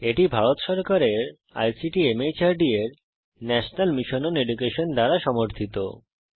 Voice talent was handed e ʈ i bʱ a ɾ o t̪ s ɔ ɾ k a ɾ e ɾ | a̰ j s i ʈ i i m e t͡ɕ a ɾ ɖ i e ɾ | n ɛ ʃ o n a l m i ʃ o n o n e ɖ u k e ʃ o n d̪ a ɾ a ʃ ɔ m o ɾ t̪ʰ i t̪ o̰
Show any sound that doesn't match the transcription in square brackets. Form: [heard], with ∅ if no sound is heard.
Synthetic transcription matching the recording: e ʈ i bʱ a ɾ o t̪ [ʃ] ɔ ɾ k a ɾ e ɾ | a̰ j s i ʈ i [e] m e t͡ɕ a ɾ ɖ i e ɾ | n ɛ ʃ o n a l m i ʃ o n o n e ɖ u k e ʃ o n d̪ a ɾ a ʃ ɔ m o ɾ t̪ʰ i t̪ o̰